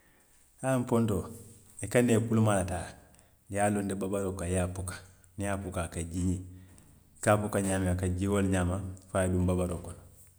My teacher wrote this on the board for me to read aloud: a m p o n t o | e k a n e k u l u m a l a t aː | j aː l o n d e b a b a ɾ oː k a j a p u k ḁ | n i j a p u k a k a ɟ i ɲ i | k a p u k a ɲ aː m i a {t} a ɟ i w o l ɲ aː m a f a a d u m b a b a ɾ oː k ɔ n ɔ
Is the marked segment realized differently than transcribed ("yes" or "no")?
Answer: yes